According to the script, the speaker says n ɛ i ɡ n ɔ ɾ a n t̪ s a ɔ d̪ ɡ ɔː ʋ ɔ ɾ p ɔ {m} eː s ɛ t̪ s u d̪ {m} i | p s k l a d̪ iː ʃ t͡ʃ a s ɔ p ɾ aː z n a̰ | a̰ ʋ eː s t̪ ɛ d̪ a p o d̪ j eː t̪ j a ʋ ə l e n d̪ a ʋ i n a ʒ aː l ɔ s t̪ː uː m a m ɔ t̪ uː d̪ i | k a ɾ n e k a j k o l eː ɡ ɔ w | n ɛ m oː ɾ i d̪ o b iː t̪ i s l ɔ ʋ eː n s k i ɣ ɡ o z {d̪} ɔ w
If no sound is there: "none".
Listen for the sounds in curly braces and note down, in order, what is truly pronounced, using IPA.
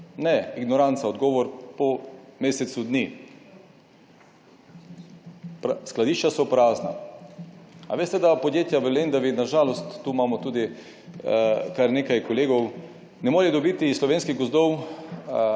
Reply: m, n, d̪

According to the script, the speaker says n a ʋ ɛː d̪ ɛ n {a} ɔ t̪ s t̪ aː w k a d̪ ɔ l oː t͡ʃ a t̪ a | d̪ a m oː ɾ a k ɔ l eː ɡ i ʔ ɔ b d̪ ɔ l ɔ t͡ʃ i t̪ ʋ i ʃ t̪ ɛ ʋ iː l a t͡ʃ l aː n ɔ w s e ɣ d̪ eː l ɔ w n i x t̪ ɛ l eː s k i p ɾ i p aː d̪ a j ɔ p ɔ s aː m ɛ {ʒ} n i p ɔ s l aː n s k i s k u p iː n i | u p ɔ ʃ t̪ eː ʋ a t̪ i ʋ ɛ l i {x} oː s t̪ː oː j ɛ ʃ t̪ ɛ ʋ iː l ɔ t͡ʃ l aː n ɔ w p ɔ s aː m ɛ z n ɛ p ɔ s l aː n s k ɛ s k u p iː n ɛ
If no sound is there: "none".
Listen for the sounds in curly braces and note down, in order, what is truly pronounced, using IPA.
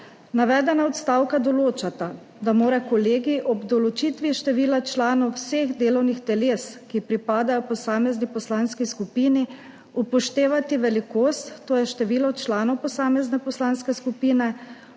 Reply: a, z, k

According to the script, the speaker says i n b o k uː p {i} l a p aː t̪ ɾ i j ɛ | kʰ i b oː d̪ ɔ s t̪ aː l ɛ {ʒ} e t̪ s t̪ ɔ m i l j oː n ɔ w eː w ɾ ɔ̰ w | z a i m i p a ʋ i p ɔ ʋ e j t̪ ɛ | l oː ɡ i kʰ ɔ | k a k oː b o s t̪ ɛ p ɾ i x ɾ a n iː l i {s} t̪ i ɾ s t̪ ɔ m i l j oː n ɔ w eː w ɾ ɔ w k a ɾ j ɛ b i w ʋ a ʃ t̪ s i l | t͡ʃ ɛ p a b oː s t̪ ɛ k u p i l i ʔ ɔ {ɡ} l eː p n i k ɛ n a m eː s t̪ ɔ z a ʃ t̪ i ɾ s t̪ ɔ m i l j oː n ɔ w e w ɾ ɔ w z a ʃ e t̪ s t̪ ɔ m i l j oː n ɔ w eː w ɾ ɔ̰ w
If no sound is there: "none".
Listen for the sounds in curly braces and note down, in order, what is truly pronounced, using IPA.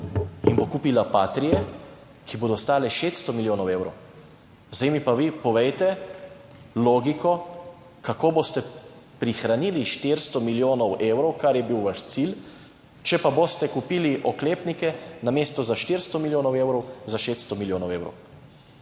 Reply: i, ʃ, ʃ, k

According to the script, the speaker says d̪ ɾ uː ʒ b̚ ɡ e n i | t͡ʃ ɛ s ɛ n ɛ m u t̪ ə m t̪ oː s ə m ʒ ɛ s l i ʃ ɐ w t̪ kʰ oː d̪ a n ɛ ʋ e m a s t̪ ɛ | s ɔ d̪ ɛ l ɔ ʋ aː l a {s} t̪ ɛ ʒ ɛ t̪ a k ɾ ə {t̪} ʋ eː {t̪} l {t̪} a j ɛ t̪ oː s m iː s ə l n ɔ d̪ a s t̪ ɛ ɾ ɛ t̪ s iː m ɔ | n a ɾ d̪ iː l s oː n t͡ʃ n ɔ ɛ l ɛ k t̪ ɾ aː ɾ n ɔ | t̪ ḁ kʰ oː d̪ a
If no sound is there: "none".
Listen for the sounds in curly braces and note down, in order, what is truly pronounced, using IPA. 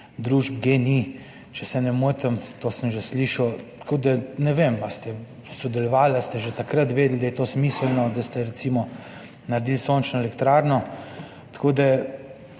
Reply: s, t̪, d̪, d̪

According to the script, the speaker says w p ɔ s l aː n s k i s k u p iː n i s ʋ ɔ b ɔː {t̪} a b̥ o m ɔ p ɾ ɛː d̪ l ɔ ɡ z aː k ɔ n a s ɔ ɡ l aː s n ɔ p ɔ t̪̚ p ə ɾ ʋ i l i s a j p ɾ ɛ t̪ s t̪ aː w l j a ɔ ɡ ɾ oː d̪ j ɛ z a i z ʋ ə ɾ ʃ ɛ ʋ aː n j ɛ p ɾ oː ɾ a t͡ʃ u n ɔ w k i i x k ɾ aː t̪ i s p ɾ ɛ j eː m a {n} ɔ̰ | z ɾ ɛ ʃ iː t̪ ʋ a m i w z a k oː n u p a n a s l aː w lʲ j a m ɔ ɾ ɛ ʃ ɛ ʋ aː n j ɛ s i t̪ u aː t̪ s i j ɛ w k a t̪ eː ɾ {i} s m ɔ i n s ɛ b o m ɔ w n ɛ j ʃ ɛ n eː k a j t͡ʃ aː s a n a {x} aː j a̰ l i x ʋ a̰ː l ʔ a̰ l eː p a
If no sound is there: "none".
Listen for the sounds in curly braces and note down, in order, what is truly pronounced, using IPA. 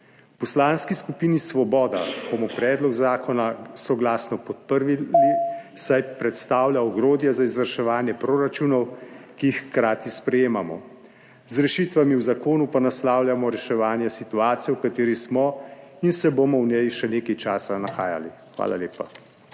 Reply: d̪, m, i, x

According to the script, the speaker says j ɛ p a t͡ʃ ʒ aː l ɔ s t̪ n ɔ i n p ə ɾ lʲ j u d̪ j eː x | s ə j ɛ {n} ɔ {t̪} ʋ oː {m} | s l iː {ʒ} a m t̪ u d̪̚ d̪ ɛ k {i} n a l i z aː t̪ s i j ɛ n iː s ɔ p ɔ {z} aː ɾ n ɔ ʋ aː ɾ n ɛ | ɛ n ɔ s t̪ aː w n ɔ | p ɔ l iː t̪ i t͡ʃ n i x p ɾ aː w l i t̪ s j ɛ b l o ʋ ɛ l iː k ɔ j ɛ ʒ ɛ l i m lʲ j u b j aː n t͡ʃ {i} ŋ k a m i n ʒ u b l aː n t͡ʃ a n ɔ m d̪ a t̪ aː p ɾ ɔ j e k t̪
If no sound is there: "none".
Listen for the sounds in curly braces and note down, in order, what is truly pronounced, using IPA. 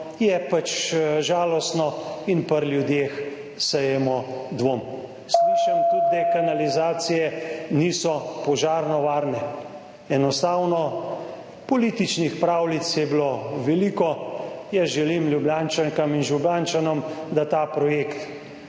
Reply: m, d̪, m, ʃ, a, ʒ, a

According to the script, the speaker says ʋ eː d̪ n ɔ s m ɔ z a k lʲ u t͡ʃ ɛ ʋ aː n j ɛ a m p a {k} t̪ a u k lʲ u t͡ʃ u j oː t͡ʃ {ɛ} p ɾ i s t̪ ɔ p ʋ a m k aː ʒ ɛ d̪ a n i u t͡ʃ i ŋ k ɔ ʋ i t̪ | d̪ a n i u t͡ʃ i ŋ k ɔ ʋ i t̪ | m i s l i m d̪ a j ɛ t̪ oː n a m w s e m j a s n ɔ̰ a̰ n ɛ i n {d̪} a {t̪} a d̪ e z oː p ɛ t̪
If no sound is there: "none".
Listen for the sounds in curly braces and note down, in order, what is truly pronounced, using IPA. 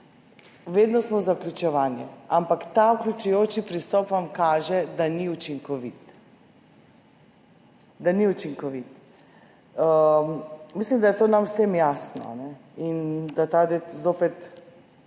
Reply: k, i, d̪, t̪

